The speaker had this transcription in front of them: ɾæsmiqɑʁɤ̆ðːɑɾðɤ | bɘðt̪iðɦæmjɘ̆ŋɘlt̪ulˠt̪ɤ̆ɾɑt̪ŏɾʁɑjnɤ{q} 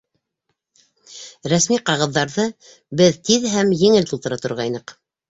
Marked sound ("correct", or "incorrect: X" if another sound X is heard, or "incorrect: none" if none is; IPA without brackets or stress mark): correct